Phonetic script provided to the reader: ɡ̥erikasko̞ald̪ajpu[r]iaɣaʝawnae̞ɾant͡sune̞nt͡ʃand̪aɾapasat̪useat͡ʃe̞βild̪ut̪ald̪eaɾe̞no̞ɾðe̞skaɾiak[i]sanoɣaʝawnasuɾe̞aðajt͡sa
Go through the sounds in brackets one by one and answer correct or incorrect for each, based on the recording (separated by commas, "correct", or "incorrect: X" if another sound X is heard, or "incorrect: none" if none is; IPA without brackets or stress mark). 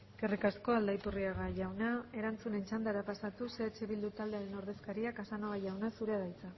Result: correct, incorrect: a